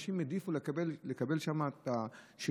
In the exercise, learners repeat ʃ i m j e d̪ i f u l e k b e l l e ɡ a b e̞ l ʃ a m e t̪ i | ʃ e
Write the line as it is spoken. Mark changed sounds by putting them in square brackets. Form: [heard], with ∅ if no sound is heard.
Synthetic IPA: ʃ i m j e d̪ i f u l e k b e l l e [k] a b e̞ l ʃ a m [a] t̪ [a] | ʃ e